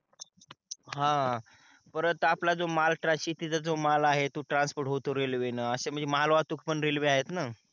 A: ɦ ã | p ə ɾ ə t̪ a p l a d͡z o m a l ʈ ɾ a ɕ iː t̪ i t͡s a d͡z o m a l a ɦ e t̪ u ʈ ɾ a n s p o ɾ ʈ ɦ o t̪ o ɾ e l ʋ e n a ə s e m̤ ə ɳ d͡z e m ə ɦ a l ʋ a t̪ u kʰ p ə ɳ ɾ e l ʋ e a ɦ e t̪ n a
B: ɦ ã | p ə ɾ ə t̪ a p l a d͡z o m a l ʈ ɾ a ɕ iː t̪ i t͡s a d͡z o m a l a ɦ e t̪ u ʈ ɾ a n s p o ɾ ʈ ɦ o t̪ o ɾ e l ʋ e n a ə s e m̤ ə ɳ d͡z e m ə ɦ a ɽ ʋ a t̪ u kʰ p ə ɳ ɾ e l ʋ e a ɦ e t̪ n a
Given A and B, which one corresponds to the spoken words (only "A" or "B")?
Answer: A